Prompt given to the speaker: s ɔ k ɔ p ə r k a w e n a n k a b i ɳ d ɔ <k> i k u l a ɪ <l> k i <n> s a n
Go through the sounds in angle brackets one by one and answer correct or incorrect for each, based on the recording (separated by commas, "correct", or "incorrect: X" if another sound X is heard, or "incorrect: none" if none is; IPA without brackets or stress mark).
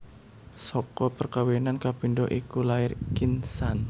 incorrect: ʔ, incorrect: r, correct